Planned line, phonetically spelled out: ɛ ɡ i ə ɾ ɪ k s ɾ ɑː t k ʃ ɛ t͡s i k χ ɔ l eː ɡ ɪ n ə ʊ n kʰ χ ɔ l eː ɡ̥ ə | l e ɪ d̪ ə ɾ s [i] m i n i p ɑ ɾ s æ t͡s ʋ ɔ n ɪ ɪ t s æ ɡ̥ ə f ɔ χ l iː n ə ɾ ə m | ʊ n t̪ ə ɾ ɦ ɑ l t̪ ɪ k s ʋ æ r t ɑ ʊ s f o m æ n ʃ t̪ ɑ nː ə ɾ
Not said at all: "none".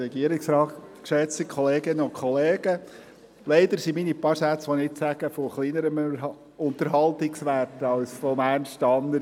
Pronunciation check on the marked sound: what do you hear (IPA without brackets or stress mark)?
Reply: i